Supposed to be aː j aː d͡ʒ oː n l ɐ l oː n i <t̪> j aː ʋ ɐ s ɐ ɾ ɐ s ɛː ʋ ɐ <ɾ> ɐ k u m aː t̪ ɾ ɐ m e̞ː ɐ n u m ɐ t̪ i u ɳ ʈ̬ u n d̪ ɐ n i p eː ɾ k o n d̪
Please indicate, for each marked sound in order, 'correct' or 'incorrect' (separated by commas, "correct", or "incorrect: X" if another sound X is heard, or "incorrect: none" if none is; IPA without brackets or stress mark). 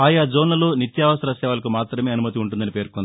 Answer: correct, incorrect: l